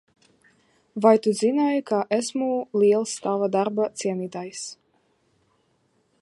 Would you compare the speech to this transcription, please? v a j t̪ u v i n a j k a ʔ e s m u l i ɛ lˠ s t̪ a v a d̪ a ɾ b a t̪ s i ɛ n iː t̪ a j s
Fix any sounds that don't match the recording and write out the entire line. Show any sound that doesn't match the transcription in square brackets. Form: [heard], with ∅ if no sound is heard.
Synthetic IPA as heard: v a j t̪ u [z] i n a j k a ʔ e s m u l i ɛ lˠ s t̪ a v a d̪ a ɾ b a t̪ s i ɛ n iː t̪ a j s